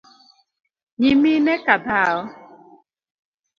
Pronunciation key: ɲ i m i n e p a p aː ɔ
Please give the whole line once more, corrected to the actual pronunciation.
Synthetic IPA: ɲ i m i n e k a b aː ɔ